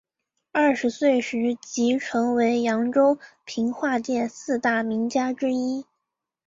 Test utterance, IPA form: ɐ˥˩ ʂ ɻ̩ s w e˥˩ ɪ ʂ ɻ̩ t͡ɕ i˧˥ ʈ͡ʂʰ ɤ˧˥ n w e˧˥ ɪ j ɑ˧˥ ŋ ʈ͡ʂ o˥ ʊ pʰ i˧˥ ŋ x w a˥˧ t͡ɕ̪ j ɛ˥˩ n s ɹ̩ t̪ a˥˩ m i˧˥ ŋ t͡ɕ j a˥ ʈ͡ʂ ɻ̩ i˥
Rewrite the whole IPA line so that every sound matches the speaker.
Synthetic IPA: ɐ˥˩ ʂ ɻ̩ s w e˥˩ ɪ ʂ ɻ̩ t͡ɕ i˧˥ ʈ͡ʂʰ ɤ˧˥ ŋ w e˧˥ ɪ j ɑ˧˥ ŋ ʈ͡ʂ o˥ ʊ pʰ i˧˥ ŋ x w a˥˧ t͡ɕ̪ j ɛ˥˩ n s ɹ̩ t̪ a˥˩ m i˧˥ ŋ t͡ɕ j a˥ ʈ͡ʂ ɻ̩ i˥